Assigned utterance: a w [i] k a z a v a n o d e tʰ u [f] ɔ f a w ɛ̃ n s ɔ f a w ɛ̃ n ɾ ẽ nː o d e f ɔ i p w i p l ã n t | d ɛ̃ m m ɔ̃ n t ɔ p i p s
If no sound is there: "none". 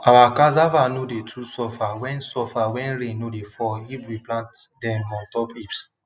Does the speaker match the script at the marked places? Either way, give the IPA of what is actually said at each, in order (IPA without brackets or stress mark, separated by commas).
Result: a, s